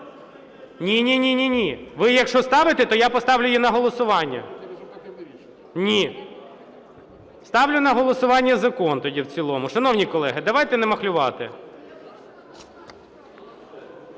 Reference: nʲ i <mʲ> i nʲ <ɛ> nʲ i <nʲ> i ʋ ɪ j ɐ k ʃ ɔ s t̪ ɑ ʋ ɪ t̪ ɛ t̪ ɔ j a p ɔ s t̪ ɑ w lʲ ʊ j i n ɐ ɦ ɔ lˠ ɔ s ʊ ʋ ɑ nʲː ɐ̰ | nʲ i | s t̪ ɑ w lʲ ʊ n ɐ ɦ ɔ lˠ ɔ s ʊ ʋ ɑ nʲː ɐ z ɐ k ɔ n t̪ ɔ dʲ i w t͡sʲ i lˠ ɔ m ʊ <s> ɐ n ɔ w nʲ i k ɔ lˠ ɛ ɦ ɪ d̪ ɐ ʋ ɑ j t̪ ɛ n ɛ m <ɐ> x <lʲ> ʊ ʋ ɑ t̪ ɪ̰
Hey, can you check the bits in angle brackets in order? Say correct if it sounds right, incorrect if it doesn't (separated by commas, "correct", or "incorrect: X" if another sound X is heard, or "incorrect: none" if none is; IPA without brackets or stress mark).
incorrect: nʲ, incorrect: i, correct, incorrect: ʃ, correct, correct